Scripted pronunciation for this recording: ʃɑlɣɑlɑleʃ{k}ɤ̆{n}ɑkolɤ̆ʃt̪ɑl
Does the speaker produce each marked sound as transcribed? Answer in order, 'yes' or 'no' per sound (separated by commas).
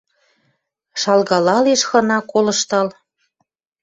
no, yes